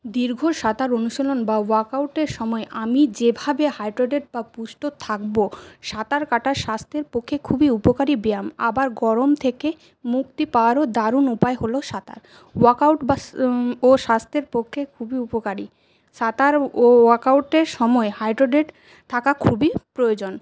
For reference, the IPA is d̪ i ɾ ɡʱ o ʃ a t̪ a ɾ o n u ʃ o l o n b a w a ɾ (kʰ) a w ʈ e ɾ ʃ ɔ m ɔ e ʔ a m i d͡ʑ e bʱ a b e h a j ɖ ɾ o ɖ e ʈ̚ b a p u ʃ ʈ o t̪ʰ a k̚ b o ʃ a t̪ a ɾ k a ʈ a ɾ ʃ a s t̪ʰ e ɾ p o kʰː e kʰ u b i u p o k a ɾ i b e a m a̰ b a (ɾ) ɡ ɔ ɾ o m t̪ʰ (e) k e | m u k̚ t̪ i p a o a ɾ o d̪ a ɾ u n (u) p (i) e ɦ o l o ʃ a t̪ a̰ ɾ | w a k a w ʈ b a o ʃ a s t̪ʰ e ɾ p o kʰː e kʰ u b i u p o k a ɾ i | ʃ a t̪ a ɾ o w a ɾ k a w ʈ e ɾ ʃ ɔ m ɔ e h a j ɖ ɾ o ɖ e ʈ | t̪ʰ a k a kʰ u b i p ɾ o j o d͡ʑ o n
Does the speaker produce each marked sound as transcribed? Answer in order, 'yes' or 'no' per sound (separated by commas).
no, yes, yes, yes, no